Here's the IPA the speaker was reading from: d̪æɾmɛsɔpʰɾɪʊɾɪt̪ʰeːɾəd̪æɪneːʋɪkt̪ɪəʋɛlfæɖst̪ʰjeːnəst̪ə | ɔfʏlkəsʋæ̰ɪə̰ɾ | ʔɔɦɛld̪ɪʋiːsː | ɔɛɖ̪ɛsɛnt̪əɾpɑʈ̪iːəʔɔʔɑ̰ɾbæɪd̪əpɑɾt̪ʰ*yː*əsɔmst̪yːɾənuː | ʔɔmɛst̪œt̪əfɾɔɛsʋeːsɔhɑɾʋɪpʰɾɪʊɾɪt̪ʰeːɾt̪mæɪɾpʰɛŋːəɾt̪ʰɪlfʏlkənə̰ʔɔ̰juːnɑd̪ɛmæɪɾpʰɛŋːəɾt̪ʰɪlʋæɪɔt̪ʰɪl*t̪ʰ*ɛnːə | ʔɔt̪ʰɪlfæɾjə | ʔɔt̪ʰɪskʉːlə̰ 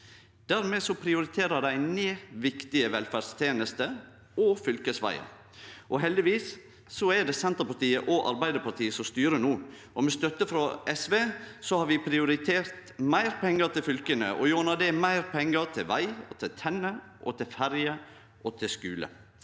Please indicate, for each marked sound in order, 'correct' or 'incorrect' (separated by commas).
incorrect, correct